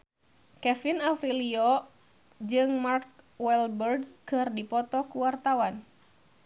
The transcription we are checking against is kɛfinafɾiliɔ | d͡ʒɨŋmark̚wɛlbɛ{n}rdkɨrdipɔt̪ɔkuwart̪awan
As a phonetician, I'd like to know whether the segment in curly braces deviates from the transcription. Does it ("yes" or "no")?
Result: yes